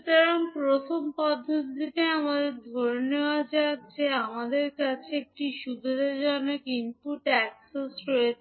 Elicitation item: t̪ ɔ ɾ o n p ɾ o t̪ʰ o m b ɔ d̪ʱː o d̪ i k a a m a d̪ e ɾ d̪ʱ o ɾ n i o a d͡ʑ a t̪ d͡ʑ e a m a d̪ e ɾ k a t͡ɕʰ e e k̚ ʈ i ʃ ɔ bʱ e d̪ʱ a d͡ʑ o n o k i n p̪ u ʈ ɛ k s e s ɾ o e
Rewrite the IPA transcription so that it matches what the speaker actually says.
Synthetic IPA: t̪ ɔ ɾ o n p ɾ o t̪ʰ o m p ɔ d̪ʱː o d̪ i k e a m a d̪ e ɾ d̪ʱ o ɾ n e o a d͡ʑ a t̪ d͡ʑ e a m a d̪ e ɾ k a t͡ɕʰ e e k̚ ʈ i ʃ u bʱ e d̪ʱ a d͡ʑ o n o k i n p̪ u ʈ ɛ k s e s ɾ o e